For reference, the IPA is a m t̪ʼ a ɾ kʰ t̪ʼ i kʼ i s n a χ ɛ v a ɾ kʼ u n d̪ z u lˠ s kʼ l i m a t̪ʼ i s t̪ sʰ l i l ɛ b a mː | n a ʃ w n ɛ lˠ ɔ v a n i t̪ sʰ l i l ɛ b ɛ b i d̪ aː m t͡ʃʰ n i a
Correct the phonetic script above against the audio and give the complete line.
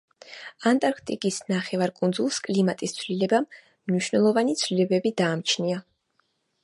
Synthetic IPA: a n t̪ʼ a ɾ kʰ t̪ʼ i kʼ i s n a χ ɛ v a ɾ kʼ u n d̪ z u lˠ s kʼ l i m a t̪ʼ i s t̪ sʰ l i l ɛ b a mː | n i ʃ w n ɛ lˠ ɔ v a n i t̪ sʰ l i l ɛ b ɛ b i d̪ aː m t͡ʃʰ n i a